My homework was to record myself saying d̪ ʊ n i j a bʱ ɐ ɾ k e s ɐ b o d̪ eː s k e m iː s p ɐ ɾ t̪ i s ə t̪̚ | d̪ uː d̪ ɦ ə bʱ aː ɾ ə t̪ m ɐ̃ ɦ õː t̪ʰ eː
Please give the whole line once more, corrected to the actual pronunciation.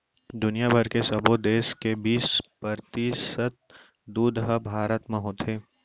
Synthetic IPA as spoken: d̪ ʊ n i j a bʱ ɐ ɾ k e s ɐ b o d̪ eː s k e b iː s p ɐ ɾ t̪ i s ə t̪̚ | d̪ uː d̪ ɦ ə bʱ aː ɾ ə t̪ m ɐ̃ ɦ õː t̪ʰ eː